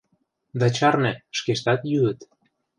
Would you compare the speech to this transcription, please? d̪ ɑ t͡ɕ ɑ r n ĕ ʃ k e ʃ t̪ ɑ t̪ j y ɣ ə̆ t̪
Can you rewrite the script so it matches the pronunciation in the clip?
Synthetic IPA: d̪ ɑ t͡ɕ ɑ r n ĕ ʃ k e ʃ t̪ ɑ t̪ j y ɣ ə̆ t̪

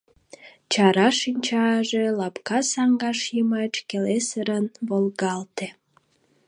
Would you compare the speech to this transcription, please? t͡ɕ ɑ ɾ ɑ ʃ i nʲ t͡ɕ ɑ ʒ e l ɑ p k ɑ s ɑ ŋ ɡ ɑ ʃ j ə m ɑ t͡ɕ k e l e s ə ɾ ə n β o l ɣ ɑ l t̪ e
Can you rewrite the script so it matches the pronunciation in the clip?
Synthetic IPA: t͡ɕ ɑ ɾ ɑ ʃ i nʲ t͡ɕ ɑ ʒ e l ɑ p k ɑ s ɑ ŋ ɡ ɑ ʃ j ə m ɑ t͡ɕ k e l e s ə ɾ ə n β o l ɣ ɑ l t̪ e

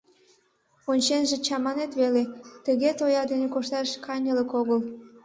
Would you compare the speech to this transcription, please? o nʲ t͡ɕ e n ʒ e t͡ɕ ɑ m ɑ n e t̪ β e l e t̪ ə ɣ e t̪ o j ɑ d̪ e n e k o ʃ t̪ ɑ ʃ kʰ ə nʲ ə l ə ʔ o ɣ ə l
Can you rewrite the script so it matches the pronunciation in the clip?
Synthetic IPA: o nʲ t͡ɕ e n ʒ e t͡ɕ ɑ m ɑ n e t̪ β e l e t̪ ə ɣ e t̪ o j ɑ d̪ e n e k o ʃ t̪ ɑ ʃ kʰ ɑ nʲ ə l ə k o ɣ ə l

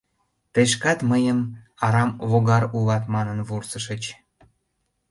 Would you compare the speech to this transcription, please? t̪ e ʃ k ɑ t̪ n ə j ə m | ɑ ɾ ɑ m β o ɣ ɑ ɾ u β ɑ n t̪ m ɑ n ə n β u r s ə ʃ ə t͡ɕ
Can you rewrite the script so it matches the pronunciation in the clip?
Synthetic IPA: t̪ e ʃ k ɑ t̪ m ə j ə m | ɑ ɾ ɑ m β o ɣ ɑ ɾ u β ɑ t̪ m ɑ n ə n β u r s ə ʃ ə t͡ɕ

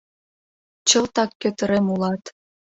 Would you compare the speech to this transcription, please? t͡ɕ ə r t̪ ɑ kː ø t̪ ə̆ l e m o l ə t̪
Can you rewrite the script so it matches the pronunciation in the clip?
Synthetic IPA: t͡ɕ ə l t̪ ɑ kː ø t̪ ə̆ ɾ e m u l ɑ t̪

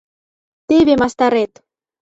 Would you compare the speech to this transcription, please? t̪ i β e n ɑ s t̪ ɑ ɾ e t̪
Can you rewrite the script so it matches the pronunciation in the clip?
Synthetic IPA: t̪ e β e m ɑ s t̪ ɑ ɾ e t̪

